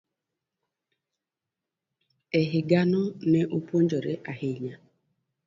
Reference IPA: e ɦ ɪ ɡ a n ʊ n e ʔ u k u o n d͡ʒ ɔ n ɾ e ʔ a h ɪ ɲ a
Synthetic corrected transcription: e ɦ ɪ ɡ a n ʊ n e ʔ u p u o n d͡ʒ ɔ ɾ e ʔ a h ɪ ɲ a